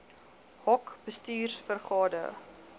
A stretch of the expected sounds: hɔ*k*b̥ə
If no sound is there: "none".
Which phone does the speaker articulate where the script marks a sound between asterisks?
k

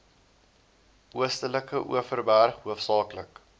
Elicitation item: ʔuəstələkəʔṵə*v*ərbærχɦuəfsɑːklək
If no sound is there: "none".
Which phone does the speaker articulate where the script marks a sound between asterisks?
f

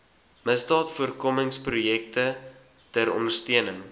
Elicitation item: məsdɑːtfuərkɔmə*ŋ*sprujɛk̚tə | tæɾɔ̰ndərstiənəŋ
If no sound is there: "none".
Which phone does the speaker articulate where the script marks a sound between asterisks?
ŋ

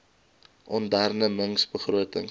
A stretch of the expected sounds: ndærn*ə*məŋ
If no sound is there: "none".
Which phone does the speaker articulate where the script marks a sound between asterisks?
ə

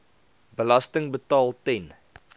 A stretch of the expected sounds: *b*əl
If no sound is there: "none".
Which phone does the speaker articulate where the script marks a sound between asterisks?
b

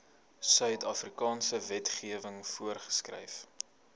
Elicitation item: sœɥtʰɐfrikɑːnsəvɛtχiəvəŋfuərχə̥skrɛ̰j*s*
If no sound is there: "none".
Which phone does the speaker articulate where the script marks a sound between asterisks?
f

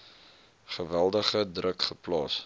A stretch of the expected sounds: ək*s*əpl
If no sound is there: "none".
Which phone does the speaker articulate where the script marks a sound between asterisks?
χ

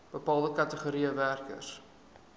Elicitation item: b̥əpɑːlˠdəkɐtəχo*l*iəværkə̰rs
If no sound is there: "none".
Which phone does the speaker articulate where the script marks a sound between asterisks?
ɾ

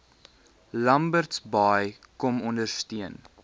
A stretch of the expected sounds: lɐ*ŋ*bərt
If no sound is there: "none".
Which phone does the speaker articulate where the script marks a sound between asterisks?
m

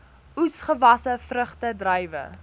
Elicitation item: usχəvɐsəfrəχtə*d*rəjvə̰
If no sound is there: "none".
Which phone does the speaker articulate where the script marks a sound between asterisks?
d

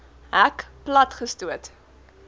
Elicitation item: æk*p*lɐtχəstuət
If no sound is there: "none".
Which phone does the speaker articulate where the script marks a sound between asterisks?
p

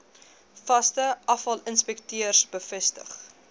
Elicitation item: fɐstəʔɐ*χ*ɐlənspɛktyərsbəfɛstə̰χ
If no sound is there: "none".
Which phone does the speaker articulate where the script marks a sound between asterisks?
f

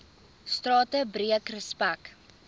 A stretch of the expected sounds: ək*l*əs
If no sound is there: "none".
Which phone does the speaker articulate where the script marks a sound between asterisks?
r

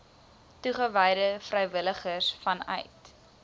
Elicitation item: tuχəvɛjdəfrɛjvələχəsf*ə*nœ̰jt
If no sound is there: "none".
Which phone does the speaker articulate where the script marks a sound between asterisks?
ɐ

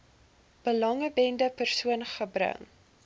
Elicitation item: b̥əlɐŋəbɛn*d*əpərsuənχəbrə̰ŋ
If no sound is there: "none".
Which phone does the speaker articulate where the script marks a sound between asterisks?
d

